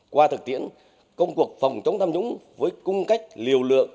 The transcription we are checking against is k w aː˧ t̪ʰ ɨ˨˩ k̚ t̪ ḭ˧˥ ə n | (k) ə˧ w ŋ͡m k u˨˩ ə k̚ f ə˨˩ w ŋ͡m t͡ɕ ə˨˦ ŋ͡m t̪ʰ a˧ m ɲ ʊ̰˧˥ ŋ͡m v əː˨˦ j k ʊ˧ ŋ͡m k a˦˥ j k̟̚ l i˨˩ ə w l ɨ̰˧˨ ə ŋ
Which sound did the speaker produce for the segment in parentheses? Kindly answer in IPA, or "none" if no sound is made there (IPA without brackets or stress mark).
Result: k